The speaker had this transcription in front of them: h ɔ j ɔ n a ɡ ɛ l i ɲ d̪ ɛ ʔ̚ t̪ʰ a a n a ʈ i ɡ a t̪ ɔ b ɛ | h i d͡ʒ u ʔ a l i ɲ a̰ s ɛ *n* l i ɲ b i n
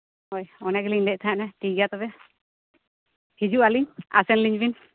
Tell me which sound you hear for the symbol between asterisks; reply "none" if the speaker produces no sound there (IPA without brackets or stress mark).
n